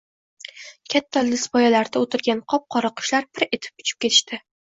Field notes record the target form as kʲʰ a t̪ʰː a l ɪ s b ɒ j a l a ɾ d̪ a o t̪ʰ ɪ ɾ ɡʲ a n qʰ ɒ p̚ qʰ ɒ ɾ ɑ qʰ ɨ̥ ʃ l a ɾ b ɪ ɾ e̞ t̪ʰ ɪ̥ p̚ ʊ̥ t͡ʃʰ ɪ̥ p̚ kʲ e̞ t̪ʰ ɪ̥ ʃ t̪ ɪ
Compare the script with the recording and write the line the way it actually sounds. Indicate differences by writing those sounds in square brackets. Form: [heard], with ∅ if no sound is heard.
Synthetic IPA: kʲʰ a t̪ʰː a l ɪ s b ɒ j a l a ɾ d̪ a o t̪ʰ ɪ ɾ ɡʲ a n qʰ ɒ p̚ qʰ ɒ ɾ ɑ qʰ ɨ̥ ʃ l a ɾ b ɪ ɾ e̞ t̪ʰ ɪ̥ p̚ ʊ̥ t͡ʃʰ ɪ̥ p̚ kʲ e̞ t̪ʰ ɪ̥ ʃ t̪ ɪ